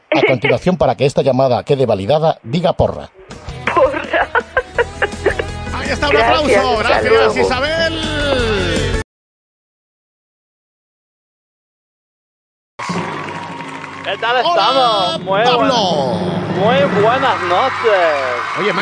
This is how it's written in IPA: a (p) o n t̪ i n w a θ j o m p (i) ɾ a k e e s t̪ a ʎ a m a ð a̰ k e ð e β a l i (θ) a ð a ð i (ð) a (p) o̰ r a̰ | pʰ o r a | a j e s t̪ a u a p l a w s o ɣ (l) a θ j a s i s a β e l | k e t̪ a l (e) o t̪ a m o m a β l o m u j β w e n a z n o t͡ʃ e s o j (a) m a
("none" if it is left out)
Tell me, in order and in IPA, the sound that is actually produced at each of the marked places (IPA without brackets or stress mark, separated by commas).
k, a, ð, ɣ, p, ɾ, e, e